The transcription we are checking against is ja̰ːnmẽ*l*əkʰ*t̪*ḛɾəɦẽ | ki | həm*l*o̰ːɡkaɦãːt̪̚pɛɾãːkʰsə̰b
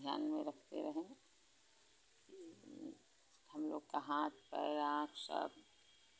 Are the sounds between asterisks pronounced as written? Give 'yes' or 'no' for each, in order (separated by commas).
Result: no, yes, yes